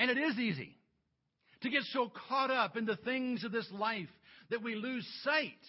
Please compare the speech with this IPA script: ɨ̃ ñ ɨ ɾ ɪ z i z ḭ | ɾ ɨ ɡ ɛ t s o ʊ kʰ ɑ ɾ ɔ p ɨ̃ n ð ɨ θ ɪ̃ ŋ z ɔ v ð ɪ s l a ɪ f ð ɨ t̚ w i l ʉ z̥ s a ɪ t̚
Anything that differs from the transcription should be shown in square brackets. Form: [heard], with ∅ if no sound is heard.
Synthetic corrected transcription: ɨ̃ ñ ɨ ɾ ɪ z i z ḭ | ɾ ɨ ɡ ɛ t s o ʊ kʰ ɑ ɾ [ʌ] p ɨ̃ n ð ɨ θ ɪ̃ ŋ z [ʌ] v ð ɪ s l a ɪ f ð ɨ t̚ w i l ʉ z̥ s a ɪ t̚